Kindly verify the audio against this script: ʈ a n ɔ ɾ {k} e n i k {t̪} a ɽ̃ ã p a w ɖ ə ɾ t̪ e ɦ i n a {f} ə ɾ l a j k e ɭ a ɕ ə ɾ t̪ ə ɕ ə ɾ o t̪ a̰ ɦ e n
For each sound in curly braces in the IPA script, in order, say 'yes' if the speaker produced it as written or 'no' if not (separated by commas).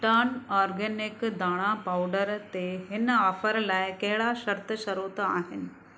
no, no, yes